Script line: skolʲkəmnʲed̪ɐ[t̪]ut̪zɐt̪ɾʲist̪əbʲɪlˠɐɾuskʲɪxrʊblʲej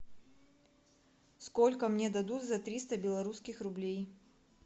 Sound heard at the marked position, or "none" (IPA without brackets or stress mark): d̪